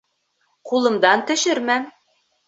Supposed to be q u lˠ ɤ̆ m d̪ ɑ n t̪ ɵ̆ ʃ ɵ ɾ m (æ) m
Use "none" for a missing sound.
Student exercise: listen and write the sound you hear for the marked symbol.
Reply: æ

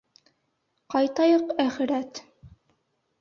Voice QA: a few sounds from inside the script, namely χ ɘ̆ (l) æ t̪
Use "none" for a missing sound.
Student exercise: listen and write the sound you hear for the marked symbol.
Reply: ɾ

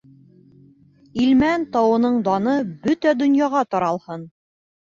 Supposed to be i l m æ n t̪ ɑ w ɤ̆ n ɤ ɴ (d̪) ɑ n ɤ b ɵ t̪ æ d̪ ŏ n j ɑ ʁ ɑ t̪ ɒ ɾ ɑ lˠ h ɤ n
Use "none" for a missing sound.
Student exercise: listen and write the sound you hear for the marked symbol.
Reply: d̪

